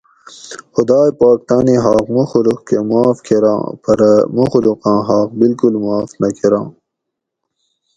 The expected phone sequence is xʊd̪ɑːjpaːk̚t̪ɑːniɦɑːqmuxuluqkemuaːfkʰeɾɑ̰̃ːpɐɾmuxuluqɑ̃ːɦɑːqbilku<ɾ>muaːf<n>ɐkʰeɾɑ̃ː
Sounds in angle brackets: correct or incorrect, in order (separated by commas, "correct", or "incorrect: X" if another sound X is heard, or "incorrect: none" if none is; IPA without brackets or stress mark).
incorrect: l, correct